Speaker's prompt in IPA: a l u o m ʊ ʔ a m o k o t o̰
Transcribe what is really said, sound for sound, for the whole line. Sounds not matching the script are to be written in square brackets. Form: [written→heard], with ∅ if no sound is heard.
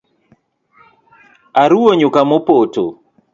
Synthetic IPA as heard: a [l→ɾ] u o [m→ɲ] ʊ [ʔ→k] a m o [k→p] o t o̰